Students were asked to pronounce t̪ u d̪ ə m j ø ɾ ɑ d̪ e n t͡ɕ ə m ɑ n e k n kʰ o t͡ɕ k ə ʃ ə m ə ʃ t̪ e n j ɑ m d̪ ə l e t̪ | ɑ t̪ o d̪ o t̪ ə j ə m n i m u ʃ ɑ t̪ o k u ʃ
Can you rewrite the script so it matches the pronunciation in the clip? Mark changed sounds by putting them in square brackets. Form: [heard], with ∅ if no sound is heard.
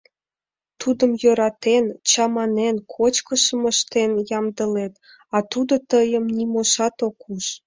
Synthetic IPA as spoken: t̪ u d̪ ə m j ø ɾ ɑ [t̪] e n t͡ɕ [ɑ] m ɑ n e [∅] n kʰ o t͡ɕ k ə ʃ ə m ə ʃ t̪ e n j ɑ m d̪ ə l e t̪ | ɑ t̪ [u] d̪ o t̪ ə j ə m n i m [o] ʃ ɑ t̪ o k u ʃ